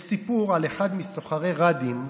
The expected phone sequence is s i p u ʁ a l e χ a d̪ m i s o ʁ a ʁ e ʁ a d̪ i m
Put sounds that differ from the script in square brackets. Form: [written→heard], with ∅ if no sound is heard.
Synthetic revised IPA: s i p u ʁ a l e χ a d̪ m i s o [ʁ→χ] a ʁ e ʁ a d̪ i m